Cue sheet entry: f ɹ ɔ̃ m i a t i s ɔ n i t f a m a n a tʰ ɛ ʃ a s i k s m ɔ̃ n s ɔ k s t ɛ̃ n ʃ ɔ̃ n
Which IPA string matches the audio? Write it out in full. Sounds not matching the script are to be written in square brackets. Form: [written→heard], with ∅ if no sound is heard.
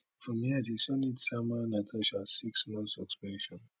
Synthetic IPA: f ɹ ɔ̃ m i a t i s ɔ n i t [f→s] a m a n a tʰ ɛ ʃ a s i k s m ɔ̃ n s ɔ k s [t→p] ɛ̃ n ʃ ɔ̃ n